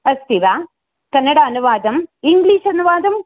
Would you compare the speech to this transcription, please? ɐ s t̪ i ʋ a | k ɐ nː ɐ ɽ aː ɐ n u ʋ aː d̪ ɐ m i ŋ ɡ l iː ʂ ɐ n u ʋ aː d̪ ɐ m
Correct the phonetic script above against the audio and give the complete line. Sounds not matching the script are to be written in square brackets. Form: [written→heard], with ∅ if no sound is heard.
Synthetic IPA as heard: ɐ s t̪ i ʋ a | k ɐ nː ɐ ɽ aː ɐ n u ʋ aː d̪ ɐ m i ŋ ɡ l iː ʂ ɐ n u ʋ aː d̪ ɐ m